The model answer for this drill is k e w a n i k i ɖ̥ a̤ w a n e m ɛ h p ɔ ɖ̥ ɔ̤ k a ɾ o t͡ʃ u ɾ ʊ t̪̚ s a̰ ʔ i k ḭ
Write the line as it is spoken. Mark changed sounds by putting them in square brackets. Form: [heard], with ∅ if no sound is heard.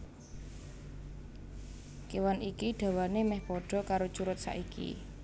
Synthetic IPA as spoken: k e w a n i k i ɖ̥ a̤ w a n e m ɛ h p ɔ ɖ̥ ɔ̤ k a ɾ o t͡ʃ u ɾ ʊ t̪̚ s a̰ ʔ i k ḭ

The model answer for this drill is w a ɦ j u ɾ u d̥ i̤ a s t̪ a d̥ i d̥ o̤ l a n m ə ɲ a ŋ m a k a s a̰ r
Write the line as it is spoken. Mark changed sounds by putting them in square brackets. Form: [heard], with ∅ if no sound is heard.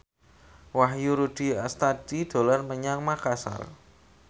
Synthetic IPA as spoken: w a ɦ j u ɾ u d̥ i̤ a s t̪ a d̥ i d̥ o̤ l a n m ə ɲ a ŋ m a k a s a̰ r

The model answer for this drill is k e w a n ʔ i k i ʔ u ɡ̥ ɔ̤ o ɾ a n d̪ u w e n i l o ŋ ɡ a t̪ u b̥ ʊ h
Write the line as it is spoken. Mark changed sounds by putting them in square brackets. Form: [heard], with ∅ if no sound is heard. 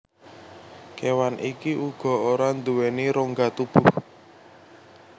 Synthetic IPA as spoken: k e w a n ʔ i k i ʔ u ɡ̥ ɔ̤ o ɾ a n d̪ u w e n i [ɾ] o ŋ ɡ a t̪ u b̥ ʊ h

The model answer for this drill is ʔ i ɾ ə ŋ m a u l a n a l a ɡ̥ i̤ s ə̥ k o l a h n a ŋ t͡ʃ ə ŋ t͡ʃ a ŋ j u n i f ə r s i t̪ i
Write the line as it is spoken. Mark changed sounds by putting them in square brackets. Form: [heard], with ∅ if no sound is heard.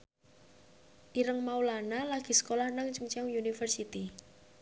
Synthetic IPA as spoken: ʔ i ɾ ə ŋ m a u l a n a l a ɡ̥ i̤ s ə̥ k o l a h n a ŋ t͡ʃ ə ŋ t͡ʃ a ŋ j u n i f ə r s i t̪ i

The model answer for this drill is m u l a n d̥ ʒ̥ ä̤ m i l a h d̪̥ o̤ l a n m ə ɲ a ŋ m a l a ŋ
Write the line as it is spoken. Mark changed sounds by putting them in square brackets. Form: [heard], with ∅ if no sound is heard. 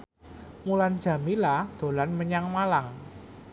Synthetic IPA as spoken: m u l a n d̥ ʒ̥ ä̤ m i l a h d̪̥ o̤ l a n m ə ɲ a ŋ m a l a ŋ

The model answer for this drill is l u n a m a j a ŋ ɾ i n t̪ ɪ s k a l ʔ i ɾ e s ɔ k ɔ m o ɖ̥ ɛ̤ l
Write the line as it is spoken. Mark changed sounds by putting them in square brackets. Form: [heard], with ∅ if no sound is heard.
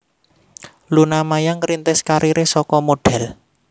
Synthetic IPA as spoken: l u n a m a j a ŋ ɾ i n t̪ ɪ s k a [ɾ] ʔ i ɾ e s ɔ k ɔ m o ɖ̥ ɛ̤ l

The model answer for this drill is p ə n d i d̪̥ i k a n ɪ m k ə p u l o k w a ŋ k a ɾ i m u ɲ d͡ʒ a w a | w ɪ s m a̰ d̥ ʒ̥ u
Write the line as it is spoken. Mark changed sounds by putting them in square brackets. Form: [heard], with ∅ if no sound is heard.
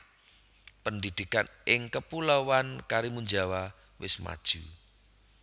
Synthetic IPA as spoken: p ə n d i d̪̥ i k a n ɪ [ŋ] k ə p u l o [∅] w a [n] k a ɾ i m u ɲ d͡ʒ a w a | w ɪ s m a̰ d̥ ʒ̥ u

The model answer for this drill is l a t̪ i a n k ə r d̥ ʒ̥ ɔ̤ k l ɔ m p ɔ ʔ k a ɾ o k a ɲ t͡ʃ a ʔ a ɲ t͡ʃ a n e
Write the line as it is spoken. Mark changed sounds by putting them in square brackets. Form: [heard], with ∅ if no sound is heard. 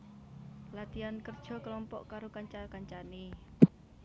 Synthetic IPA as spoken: l a t̪ i a n k ə r d̥ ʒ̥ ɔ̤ k l ɔ m p ɔ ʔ k a ɾ o k a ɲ t͡ʃ a [k] a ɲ t͡ʃ a n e

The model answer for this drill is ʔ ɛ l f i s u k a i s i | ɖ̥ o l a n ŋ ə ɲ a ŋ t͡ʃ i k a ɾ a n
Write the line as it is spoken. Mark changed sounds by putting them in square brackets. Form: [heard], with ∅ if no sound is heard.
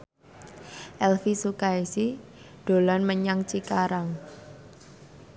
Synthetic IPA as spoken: ʔ ɛ l f i s u k a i s i | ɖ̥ o l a n [m] ə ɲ a ŋ t͡ʃ i k a ɾ a [ŋ]

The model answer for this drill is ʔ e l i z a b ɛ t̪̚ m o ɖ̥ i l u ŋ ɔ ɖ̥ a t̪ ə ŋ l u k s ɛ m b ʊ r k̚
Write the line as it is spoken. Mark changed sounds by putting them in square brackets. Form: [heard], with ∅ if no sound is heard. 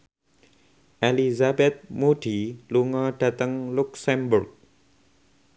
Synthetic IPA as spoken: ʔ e l i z a b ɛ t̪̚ m [u] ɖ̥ i l u ŋ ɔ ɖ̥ a t̪ ə ŋ l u k s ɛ m b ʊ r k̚

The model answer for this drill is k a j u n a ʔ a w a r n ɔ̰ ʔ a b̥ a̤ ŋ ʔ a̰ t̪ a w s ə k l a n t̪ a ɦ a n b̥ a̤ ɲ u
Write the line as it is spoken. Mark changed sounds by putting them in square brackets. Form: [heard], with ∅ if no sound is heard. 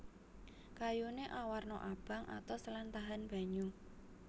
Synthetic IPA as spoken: k a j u n [e] ʔ a w a r n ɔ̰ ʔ a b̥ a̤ ŋ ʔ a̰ t̪ a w s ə [∅] l a n t̪ a ɦ a n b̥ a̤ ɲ u

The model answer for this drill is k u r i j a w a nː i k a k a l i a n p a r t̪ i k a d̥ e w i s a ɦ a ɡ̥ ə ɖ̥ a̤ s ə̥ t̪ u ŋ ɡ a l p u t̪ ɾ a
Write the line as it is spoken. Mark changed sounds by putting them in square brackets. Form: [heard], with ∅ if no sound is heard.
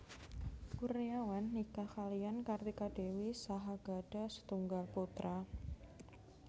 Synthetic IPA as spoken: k u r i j a w a nː i k a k a l i a n [k] a r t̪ i k a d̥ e w i s a ɦ a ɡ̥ [a] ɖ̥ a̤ s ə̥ t̪ u ŋ ɡ a l p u t̪ ɾ a

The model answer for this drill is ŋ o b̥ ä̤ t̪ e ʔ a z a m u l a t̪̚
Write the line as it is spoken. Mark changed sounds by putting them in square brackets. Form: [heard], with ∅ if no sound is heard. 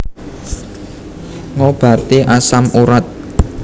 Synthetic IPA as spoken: ŋ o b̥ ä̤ t̪ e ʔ a [s] a m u [ɾ] a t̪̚

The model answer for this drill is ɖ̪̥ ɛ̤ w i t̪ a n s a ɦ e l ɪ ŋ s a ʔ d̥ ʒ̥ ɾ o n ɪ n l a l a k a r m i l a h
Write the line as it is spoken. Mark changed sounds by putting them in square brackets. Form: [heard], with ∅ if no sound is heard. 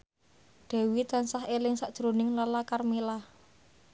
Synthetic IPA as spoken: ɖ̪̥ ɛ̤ w i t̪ a n s a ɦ e l ɪ ŋ s a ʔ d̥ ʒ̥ ɾ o n ɪ [ŋ] l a l a k a r m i l a h

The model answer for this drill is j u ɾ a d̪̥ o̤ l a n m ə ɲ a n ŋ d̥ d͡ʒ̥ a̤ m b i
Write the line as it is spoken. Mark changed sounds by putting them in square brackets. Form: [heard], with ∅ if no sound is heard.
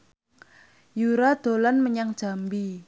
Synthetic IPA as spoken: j u ɾ a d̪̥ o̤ l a n m ə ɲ a [∅] ŋ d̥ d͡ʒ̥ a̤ m b i

